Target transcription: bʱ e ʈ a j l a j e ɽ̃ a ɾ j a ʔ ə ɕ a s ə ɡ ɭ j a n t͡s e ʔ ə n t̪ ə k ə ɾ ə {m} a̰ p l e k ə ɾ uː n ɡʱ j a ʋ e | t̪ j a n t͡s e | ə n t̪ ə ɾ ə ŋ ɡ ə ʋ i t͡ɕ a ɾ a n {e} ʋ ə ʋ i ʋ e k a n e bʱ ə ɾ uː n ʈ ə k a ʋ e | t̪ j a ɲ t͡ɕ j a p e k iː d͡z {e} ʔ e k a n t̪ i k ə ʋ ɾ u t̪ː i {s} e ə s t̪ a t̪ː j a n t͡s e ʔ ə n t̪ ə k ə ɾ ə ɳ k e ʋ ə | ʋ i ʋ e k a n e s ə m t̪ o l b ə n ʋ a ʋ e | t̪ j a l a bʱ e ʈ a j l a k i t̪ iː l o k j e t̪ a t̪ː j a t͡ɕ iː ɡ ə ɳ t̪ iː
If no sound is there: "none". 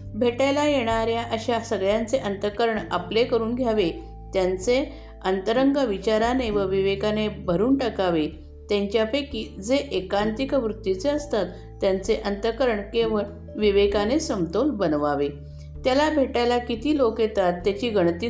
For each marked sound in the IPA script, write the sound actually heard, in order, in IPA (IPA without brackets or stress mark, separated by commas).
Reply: ɳ, e, e, t͡s